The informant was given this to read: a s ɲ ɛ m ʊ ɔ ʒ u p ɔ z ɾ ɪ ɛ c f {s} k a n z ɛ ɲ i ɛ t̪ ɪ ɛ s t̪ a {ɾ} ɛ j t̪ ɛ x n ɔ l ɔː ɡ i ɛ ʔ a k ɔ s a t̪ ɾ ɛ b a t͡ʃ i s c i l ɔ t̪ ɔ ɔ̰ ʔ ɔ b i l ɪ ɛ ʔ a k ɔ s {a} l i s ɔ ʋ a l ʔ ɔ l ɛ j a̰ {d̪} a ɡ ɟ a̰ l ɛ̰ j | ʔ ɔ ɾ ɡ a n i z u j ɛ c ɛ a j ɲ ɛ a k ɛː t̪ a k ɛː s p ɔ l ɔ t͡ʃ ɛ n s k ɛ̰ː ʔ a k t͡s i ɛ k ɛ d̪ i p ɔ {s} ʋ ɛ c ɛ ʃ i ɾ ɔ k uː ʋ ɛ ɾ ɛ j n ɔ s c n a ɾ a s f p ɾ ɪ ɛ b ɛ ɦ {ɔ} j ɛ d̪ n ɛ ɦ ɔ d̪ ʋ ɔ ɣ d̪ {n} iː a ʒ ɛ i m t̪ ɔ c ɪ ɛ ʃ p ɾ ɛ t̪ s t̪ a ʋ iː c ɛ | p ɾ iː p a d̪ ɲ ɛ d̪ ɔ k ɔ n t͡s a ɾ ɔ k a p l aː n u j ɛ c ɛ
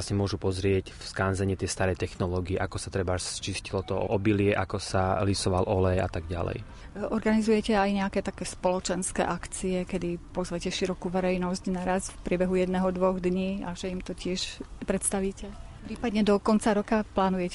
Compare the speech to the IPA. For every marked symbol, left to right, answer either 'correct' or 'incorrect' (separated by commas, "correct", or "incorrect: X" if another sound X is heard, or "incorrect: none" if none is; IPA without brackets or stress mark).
correct, correct, correct, incorrect: t̪, incorrect: z, incorrect: u, incorrect: ɲ